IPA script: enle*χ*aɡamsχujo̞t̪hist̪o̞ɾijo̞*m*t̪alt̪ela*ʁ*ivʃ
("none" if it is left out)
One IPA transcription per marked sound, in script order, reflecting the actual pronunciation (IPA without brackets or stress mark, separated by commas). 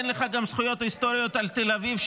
χ, none, v